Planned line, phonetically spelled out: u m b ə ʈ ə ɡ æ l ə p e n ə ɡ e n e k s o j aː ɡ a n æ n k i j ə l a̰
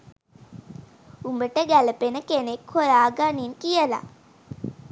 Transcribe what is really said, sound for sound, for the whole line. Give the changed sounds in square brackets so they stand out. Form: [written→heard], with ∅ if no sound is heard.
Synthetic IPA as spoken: u m b ə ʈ ə ɡ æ l ə p e n ə [ɡ→k] e n e k [s→h] o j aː ɡ a n [æ→i] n k i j ə l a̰